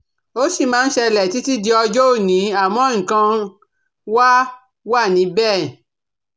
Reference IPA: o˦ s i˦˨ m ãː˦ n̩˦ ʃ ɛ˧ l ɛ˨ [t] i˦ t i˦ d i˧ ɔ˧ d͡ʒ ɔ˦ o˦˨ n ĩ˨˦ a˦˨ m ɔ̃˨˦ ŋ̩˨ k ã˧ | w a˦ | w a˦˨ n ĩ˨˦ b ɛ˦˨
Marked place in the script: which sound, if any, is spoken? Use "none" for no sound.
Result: t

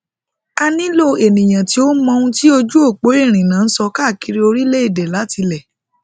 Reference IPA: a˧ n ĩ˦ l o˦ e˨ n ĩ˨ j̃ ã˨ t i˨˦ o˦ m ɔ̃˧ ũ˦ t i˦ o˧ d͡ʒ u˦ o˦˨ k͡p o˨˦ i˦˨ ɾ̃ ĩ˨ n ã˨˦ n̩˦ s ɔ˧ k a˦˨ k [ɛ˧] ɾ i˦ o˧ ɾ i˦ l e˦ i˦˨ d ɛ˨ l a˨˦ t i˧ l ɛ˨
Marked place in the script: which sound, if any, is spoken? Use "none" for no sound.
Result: i˧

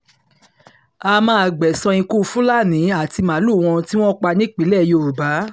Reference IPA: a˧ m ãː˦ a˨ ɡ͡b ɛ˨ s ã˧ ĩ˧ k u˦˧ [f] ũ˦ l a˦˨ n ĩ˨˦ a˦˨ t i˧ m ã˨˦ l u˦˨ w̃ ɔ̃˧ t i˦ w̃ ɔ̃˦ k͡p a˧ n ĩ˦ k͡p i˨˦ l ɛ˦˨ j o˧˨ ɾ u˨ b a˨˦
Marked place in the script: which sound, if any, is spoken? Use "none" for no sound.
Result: f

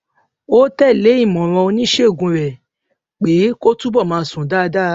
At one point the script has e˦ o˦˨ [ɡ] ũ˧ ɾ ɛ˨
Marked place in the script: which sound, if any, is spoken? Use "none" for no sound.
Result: ɡ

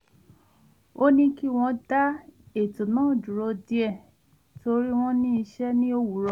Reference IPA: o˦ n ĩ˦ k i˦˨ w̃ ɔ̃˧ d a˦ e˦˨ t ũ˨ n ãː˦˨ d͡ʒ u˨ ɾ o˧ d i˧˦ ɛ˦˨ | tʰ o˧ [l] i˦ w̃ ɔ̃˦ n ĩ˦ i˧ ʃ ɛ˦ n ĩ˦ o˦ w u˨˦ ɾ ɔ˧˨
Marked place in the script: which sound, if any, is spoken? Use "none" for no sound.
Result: ɾ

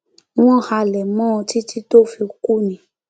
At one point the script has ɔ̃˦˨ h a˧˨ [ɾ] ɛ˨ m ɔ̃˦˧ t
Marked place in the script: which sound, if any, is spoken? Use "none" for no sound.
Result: l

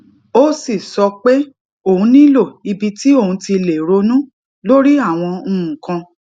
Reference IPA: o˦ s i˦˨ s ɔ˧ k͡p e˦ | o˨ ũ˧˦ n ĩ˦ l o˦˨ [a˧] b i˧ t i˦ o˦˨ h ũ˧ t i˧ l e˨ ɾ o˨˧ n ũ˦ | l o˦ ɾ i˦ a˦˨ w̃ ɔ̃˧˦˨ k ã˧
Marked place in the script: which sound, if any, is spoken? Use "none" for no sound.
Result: i˧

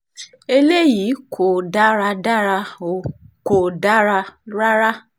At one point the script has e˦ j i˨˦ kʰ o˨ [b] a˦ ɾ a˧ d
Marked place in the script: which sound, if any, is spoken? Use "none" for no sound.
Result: d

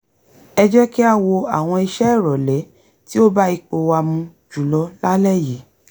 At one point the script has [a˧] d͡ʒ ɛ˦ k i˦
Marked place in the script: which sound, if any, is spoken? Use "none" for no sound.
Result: ɛ˧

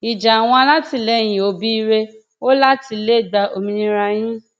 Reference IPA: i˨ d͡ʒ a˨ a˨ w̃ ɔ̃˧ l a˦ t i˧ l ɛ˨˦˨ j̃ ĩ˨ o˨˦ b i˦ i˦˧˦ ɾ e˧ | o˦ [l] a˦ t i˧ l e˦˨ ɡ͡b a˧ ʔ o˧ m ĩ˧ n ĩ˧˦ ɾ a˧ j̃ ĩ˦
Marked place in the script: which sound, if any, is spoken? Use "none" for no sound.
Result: l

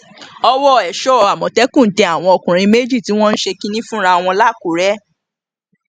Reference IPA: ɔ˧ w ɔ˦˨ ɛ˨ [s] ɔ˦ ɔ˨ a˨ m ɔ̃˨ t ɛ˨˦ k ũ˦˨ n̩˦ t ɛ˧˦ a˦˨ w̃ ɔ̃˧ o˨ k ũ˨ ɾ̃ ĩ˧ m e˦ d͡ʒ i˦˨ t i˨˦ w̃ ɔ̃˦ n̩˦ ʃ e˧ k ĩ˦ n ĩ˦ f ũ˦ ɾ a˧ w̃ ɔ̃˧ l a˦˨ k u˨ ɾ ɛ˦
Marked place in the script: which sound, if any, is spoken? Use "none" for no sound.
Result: ʃ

